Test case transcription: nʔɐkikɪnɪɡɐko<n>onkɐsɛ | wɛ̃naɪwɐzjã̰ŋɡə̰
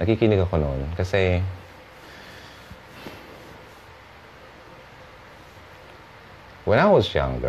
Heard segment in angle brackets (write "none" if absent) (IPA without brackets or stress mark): n